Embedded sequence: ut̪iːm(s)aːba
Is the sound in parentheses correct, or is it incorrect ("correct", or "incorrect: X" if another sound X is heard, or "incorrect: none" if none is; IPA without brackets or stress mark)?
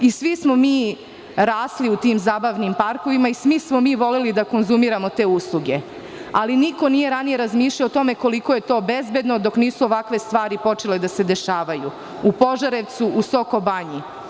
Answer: incorrect: z